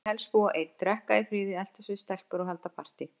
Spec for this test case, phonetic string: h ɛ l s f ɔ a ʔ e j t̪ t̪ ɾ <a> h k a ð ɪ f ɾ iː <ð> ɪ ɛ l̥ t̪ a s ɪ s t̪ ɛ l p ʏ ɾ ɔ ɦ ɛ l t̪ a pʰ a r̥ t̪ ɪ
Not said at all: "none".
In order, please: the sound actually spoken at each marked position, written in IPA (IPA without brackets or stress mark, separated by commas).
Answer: ɛ, ð